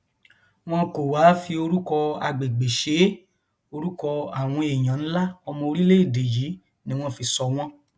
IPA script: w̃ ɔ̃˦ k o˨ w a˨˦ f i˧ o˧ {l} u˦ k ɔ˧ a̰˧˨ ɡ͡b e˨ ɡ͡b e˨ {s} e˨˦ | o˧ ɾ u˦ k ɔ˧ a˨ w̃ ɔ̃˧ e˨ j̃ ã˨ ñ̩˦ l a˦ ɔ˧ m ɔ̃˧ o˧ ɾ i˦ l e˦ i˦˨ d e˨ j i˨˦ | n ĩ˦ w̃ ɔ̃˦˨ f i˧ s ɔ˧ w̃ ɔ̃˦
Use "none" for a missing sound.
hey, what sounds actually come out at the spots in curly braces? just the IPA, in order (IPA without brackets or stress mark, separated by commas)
ɾ, ʃ